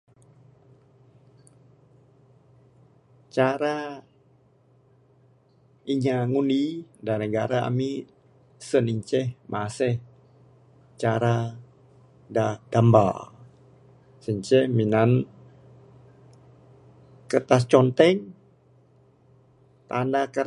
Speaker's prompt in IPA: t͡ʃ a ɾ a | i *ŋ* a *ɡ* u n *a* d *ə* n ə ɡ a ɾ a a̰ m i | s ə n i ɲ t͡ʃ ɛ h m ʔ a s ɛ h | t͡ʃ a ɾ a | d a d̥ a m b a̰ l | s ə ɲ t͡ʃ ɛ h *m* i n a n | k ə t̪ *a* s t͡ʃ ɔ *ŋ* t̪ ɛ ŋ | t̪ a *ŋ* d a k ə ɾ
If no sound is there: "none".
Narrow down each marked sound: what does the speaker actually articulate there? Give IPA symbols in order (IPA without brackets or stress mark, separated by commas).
ɲ, ŋ, i, a, m, a, n, n